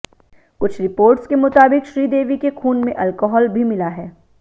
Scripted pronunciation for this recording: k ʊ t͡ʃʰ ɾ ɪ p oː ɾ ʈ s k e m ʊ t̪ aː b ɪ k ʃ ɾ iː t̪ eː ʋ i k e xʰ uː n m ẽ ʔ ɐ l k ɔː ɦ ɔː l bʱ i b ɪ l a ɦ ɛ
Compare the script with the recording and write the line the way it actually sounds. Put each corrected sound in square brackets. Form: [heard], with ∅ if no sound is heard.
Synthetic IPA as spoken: k ʊ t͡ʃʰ ɾ ɪ p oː ɾ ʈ s k e m ʊ t̪ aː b ɪ k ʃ ɾ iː [d̪] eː ʋ i k e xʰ uː n m ẽ ʔ ɐ l k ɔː ɦ ɔː l bʱ i [m] ɪ l a ɦ [ɛː]